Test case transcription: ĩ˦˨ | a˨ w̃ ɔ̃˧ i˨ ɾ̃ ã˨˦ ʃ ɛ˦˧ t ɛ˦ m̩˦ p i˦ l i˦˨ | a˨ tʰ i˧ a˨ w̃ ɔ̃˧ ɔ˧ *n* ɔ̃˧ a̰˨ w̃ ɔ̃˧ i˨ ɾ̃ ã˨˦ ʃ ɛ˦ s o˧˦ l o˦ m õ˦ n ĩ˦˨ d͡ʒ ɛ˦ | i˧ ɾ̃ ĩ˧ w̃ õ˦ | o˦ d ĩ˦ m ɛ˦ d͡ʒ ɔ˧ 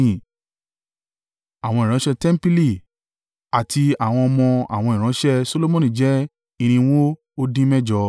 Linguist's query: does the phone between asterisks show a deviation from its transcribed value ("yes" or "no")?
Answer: yes